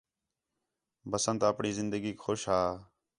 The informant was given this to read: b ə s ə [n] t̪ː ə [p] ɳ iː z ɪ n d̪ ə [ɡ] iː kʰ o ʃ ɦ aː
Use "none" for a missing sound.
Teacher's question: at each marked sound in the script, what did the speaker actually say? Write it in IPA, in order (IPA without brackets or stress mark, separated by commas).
n, p, ɡ